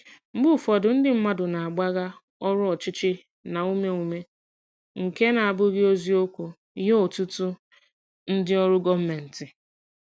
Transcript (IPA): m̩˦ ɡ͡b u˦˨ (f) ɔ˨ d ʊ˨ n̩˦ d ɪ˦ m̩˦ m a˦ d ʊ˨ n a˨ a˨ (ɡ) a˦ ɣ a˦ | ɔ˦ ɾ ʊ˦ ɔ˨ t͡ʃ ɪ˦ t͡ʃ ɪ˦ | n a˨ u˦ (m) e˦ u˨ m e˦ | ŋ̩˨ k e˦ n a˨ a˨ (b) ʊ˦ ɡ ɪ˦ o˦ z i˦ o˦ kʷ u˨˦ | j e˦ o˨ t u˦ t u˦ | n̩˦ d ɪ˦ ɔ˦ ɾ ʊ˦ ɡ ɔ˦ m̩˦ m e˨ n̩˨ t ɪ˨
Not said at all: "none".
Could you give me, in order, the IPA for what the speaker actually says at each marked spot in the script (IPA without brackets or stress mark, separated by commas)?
f, ɡ͡b, m, b